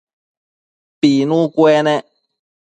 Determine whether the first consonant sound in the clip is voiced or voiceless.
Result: voiceless